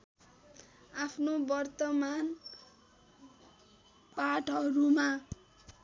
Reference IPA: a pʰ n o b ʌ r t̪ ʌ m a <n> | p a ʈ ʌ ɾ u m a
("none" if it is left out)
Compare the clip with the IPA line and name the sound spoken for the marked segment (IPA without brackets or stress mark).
n